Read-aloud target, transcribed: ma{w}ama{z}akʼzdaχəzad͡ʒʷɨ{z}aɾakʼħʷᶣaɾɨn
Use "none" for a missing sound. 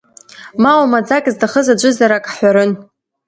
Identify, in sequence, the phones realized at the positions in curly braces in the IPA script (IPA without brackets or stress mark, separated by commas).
w, d͡z, z